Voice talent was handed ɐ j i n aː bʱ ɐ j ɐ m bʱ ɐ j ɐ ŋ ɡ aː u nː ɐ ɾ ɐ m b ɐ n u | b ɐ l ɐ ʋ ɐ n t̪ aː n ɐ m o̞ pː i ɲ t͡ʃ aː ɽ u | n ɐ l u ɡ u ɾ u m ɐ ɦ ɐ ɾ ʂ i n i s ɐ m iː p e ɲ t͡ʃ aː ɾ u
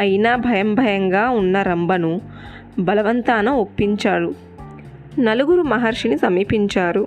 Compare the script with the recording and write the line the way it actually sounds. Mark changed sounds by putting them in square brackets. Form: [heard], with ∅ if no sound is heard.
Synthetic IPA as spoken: ɐ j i n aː bʱ ɐ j ɐ m bʱ ɐ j ɐ ŋ ɡ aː u nː ɐ ɾ ɐ m b ɐ n u | b ɐ l ɐ ʋ ɐ n t̪ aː n ɐ m o̞ pː i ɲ t͡ʃ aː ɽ u | n ɐ l u ɡ u ɾ u m ɐ ɦ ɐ ɾ ʂ i n i s ɐ m iː p [i] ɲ t͡ʃ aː ɾ u